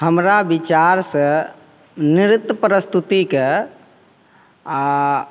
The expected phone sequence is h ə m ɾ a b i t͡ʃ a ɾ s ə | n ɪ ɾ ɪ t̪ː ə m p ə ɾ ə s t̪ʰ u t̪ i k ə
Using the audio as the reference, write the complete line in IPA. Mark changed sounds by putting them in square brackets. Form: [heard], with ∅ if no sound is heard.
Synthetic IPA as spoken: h ə m ɾ a b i t͡ʃ a ɾ s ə | n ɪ ɾ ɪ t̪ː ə [∅] p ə ɾ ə s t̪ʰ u t̪ i k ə